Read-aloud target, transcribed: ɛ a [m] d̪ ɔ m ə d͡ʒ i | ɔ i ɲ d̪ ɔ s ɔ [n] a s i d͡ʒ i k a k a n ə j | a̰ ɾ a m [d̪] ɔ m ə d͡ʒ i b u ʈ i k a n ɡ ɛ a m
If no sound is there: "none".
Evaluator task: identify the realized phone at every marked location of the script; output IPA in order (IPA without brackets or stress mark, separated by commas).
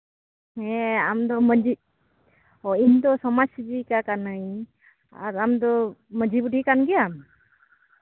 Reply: m, m, d̪